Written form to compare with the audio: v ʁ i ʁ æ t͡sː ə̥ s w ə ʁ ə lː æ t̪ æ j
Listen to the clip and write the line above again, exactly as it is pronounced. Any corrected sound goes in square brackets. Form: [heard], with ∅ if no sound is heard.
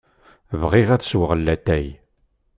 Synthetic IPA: v ʁ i ʁ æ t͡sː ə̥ s w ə ʁ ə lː æ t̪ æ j